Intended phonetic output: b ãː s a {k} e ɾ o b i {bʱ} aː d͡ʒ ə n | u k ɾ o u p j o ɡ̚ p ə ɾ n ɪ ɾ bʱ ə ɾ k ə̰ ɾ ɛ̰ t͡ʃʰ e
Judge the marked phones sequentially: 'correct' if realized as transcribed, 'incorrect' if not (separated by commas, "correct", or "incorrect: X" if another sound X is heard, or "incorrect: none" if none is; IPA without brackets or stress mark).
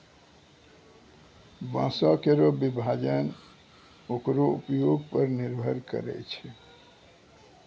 correct, correct